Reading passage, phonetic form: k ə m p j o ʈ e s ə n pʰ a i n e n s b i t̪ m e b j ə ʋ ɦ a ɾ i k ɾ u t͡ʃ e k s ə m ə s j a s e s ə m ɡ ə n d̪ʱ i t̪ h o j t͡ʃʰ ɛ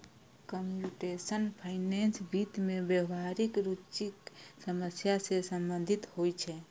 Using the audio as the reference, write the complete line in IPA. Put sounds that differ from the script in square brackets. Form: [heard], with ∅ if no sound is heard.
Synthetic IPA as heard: k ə m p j [u] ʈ e s ə n pʰ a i n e n s b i t̪ m e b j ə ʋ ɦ a ɾ i k ɾ u t͡ʃ [i] k s ə m ə s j a s e s ə m [b] ə n d̪ʱ i t̪ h o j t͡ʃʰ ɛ